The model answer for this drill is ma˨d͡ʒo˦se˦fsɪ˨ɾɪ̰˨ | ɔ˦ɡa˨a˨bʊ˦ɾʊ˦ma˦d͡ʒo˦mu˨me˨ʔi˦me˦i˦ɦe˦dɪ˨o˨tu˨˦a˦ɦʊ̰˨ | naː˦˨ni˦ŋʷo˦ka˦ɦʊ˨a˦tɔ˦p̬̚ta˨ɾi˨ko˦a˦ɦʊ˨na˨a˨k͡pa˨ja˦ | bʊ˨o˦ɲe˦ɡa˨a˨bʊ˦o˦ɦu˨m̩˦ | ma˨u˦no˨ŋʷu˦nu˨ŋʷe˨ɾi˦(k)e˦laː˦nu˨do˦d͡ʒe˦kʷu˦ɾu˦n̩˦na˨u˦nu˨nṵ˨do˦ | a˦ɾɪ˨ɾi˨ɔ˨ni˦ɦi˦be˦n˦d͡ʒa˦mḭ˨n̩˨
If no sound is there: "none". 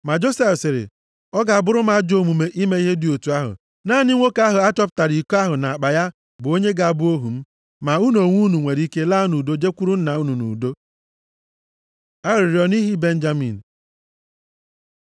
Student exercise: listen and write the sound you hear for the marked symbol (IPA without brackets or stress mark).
k